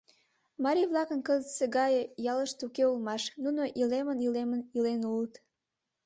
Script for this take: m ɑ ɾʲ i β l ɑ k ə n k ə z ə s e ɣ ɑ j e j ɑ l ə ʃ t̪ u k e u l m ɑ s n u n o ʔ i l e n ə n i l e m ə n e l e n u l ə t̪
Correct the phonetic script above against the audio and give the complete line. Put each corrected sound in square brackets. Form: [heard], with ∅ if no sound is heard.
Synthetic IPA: m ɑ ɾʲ i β l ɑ k ə n k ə z ə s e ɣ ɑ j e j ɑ l ə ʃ t̪ u k e u l m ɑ [ʃ] n u n o ʔ i l e [m] ə n i l e m ə n [i] l e n u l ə t̪

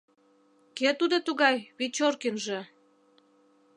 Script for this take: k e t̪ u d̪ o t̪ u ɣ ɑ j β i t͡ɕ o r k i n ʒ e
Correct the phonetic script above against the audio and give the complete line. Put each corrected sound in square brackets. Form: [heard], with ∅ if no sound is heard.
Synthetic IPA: k e t̪ u d̪ o t̪ u ɣ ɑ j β i t͡ɕ o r k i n ʒ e

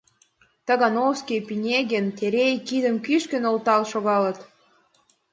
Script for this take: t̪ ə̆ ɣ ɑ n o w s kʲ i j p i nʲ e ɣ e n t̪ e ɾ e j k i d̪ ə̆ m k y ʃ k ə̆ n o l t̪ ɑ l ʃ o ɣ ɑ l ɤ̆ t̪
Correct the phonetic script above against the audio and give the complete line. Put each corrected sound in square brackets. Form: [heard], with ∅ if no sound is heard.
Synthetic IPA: t̪ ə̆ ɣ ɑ n o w s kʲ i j p i nʲ e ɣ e n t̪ e ɾ e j k i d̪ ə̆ m k y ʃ k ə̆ n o l t̪ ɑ l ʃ o ɣ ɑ l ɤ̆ t̪

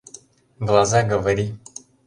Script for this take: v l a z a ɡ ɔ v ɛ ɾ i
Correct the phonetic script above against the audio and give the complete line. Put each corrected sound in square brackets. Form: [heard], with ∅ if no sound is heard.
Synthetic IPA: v l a z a ɡ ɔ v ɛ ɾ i

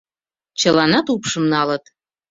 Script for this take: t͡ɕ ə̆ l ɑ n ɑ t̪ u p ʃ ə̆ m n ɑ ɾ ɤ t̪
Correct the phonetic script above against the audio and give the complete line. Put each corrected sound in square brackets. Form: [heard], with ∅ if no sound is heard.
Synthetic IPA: t͡ɕ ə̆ l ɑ n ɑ t̪ u p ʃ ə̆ m n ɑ [l] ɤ t̪

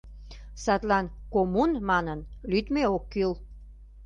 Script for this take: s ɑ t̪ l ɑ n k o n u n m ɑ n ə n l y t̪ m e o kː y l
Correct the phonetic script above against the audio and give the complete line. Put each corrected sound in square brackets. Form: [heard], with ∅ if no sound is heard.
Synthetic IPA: s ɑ t̪ l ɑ n k o [m] u n m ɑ n ə n l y t̪ m e o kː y l

